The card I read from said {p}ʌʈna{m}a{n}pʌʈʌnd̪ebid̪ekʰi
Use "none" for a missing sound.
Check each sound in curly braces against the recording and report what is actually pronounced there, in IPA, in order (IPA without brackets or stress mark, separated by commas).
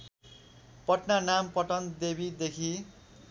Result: p, n, m